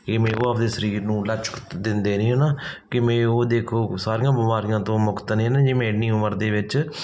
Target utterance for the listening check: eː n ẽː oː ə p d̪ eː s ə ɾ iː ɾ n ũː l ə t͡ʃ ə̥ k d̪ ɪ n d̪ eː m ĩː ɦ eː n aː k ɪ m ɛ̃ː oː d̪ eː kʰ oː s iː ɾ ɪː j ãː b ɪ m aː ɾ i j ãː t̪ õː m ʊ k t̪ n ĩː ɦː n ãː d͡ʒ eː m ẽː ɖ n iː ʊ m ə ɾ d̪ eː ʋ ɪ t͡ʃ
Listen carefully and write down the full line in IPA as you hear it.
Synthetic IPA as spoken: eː m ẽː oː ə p d̪ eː s ə ɾ iː ɾ n ũː l ə t͡ʃ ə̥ k d̪ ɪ n d̪ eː n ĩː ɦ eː n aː k ɪ m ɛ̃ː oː d̪ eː kʰ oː s aː ɾ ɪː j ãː b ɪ m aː ɾ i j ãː t̪ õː m ʊ k t̪ n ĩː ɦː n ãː d͡ʒ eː m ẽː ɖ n iː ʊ m ə ɾ d̪ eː ʋ ɪ t͡ʃ